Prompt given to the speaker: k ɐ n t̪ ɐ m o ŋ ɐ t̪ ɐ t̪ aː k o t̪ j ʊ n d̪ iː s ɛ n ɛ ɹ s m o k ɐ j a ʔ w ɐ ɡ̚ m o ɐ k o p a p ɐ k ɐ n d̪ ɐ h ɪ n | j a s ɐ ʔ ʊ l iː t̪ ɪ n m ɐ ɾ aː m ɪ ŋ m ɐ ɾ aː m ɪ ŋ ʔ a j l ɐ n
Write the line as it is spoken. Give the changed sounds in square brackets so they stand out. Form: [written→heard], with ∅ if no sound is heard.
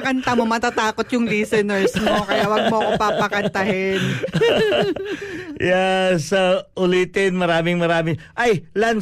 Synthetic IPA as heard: k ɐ n t̪ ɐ m o [ŋ→m] ɐ t̪ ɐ t̪ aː k o t̪ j ʊ [n→ŋ] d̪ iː s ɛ n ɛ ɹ s m o k ɐ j a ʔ w ɐ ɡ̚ m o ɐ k o p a p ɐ k ɐ n [d̪→t̪] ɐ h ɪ n | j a s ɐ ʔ ʊ l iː t̪ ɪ n m ɐ ɾ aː m ɪ ŋ m ɐ ɾ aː m ɪ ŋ ʔ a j l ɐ n